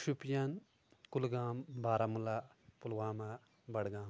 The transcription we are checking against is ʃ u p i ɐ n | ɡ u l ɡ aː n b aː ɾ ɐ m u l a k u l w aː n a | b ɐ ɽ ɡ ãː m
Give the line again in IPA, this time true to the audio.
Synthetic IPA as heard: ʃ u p j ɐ n | k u l ɡ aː m b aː ɾ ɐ m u l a p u l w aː m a | b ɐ ɽ ɡ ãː m